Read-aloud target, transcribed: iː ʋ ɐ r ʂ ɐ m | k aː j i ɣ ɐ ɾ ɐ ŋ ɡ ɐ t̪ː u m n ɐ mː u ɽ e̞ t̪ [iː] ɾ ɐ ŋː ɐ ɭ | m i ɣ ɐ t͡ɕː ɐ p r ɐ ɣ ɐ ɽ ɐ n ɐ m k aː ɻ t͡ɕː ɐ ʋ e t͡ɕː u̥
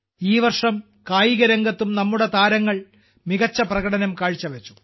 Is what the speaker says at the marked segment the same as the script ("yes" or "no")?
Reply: no